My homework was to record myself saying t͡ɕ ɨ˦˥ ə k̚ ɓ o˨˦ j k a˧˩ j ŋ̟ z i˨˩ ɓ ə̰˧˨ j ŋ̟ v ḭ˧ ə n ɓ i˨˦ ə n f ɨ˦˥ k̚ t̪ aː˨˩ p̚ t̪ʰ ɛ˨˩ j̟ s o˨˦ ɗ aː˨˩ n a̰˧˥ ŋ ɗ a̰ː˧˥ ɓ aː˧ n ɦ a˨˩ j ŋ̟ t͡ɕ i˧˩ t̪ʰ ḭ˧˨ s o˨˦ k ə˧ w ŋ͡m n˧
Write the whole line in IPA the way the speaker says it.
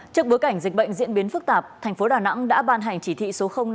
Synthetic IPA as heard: t͡ɕ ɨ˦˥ ə k̚ ɓ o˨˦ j k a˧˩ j ŋ̟ z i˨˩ ɓ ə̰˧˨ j ŋ̟ z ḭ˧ ə n ɓ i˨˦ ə n f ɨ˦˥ k̚ t̪ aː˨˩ p̚ t̪ʰ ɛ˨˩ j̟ f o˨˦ ɗ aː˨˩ n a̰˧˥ ŋ ɗ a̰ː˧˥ ɓ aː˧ n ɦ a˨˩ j ŋ̟ t͡ɕ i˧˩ t̪ʰ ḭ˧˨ s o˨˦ x ə˧ w ŋ͡m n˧